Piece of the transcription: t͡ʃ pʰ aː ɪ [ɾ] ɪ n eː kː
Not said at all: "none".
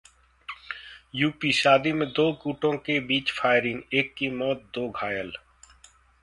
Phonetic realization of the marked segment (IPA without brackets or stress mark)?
ɾ